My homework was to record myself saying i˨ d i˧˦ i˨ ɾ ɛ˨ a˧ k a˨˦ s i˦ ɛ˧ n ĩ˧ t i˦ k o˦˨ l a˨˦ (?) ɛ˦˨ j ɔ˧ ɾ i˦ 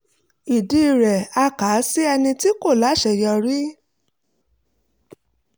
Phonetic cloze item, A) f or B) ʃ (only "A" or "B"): B